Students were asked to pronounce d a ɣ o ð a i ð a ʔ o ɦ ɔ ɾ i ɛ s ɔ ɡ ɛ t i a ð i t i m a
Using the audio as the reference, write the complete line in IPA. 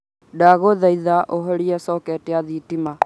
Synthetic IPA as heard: d a ɣ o ð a i ð a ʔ o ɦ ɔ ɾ i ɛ s ɔ k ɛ t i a ð i t i m a